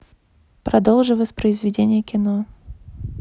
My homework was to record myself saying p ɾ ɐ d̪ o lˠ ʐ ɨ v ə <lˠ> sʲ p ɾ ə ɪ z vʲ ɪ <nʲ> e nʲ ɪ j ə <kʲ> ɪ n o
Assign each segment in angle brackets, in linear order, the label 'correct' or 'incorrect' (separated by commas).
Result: incorrect, incorrect, correct